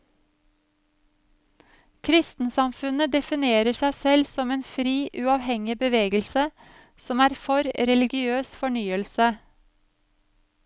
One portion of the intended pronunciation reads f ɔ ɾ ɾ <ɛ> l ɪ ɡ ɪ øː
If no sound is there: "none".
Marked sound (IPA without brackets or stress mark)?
ɛ